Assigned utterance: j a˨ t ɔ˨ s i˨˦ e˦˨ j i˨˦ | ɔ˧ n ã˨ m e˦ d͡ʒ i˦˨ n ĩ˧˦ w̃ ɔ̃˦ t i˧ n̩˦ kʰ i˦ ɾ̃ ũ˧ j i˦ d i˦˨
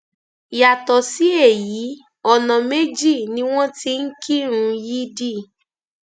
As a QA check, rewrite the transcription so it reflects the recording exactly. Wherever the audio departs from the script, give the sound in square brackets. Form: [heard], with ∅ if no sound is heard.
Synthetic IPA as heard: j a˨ t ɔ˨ s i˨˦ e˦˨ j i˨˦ | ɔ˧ n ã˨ m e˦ d͡ʒ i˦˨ n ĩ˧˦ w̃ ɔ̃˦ t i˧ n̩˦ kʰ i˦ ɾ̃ ũ˧ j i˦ d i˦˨